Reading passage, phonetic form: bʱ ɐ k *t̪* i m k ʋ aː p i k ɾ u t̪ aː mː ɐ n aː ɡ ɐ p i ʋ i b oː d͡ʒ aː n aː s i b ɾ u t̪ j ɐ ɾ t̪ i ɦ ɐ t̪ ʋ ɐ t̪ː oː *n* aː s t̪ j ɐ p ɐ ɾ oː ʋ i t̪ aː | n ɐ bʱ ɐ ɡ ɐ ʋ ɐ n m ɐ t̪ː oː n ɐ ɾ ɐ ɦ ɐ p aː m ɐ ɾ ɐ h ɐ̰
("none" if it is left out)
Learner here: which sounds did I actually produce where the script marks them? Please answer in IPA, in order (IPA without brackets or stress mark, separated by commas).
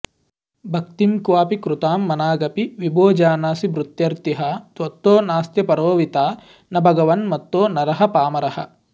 t̪, n